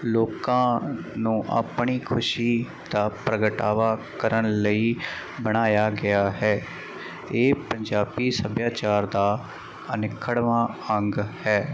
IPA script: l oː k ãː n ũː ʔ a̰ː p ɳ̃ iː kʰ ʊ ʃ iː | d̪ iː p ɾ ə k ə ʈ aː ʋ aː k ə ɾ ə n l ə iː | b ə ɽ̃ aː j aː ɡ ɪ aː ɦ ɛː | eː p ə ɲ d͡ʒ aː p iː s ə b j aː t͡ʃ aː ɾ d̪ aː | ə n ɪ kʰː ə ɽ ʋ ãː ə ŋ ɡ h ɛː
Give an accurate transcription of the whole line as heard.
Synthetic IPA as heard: l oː k ãː n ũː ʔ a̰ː p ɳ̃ iː kʰ ʊ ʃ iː | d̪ aː p ɾ ə ɡ ə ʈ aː ʋ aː k ə ɾ ə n l ə iː | b ə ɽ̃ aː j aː ɡ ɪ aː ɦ ɛː | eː p ə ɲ d͡ʒ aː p iː s ə b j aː t͡ʃ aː ɾ d̪ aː | ə n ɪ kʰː ə ɽ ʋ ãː ə ŋ ɡ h ɛː

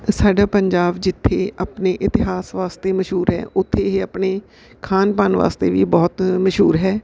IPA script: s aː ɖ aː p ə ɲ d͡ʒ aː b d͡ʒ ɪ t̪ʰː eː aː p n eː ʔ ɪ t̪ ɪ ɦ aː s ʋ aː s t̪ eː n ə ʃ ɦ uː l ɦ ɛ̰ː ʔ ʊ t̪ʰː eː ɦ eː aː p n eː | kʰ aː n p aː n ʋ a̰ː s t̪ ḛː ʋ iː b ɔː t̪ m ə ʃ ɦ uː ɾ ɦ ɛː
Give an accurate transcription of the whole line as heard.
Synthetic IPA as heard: s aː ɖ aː p ə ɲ d͡ʒ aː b d͡ʒ ɪ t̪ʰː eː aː p n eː ʔ ɪ t̪ ɪ ɦ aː s ʋ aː s t̪ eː m ə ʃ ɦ uː ɾ ɦ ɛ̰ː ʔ ʊ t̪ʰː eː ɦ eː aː p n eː | kʰ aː n p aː n ʋ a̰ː s t̪ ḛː ʋ iː b ɔː t̪ m ə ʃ ɦ uː ɾ ɦ ɛː

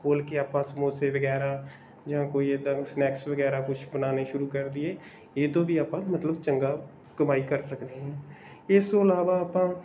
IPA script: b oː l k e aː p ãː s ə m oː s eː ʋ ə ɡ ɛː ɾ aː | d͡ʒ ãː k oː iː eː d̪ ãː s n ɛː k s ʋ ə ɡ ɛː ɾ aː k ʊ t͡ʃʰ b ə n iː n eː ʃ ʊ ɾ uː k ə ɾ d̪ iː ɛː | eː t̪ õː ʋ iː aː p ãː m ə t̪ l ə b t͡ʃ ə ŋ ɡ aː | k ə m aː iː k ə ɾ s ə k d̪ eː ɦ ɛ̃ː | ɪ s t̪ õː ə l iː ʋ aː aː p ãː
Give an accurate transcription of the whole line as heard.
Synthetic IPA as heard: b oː l k e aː p ãː s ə m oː s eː ʋ ə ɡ ɛː ɾ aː | d͡ʒ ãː k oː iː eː d̪ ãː s n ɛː k s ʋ ə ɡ ɛː ɾ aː k ʊ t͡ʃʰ b ə n aː n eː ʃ ʊ ɾ uː k ə ɾ d̪ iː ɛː | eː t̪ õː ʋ iː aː p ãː m ə t̪ l ə b t͡ʃ ə ŋ ɡ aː | k ə m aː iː k ə ɾ s ə k d̪ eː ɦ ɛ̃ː | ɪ s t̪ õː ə l aː ʋ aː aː p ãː

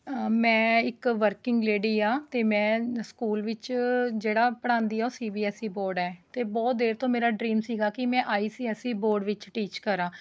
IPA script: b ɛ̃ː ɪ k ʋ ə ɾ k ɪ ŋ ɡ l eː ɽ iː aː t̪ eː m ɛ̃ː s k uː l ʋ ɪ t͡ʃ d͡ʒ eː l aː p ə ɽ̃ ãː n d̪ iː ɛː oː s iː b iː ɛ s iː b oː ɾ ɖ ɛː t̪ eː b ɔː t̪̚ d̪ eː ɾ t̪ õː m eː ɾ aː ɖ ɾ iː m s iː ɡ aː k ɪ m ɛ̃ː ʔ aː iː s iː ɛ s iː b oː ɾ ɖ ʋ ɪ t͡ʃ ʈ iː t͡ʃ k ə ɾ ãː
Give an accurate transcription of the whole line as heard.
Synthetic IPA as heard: m ɛ̃ː ɪ k ʋ ə ɾ k ɪ ŋ ɡ l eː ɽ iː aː t̪ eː m ɛ̃ː s k uː l ʋ ɪ t͡ʃ d͡ʒ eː ɽ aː p ə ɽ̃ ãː n d̪ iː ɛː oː s iː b iː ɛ s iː b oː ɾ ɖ ɛː t̪ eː b ɔː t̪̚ d̪ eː ɾ t̪ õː m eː ɾ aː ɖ ɾ iː m s iː ɡ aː k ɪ m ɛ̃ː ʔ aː iː s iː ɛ s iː b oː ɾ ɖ ʋ ɪ t͡ʃ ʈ iː t͡ʃ k ə ɾ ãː

